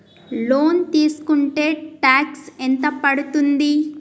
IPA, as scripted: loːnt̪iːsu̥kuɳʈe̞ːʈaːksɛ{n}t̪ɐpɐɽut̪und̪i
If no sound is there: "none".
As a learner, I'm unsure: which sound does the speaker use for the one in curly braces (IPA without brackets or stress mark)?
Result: n